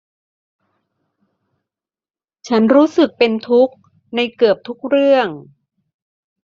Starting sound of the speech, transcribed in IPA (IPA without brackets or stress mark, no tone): t͡ɕʰ